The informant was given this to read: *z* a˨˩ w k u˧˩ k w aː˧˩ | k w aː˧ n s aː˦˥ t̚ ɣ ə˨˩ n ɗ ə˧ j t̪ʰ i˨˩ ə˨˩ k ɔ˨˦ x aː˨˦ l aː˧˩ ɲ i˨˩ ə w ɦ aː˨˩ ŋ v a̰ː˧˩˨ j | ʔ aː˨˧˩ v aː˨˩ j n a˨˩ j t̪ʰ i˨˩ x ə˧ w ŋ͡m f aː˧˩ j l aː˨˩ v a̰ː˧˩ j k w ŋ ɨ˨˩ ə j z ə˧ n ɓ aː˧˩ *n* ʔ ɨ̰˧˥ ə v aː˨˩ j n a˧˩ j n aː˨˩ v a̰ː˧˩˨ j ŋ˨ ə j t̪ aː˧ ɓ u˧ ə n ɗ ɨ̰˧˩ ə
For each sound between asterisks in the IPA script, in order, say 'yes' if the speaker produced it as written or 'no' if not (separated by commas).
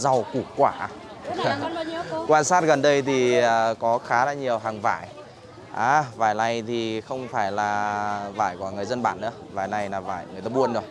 yes, yes